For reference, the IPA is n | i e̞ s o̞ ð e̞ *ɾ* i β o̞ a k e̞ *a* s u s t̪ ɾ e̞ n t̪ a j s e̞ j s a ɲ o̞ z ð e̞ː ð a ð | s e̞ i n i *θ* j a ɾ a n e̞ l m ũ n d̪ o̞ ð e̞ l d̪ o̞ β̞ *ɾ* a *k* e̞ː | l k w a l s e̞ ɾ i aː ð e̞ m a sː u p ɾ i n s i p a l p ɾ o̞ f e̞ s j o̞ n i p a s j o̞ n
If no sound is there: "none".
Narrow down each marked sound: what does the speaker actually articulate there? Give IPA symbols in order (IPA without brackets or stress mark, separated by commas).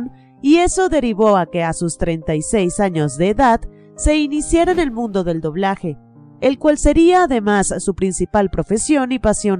ɾ, a, s, l, x